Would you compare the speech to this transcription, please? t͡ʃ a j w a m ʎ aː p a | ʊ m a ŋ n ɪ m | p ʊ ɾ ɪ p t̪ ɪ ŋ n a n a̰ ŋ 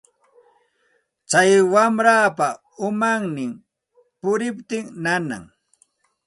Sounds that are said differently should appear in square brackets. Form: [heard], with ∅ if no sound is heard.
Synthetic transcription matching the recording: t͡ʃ a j w a m [ɾ] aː p a | ʊ m a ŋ n ɪ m | p ʊ ɾ ɪ p t̪ ɪ ŋ n a n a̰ ŋ